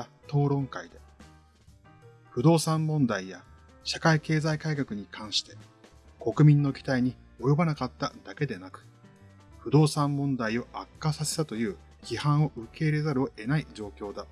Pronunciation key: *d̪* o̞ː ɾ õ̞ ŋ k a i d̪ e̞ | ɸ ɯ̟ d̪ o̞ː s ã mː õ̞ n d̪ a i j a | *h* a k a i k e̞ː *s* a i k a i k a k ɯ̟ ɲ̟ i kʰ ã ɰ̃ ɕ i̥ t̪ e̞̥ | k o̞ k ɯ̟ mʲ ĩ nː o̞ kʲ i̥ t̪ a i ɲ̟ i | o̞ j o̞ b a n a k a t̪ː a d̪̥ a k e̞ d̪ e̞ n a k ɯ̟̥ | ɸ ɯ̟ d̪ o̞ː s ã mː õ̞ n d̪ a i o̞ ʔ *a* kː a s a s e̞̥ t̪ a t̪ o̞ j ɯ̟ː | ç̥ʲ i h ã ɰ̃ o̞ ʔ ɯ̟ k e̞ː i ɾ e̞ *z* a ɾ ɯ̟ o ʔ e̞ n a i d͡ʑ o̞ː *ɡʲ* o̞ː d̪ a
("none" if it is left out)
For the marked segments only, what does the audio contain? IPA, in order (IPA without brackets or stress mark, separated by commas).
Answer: t̪, ɕ, z, a, z, kʲ